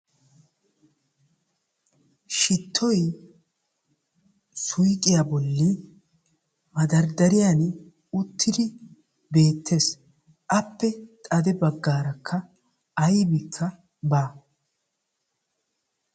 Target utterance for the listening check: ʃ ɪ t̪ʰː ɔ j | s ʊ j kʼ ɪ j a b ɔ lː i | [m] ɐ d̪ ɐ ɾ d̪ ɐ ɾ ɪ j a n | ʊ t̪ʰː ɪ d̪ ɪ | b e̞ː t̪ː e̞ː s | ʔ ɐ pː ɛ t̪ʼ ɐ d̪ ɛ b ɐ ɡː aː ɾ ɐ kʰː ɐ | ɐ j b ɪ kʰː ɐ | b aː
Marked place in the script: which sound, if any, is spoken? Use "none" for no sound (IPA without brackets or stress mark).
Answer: m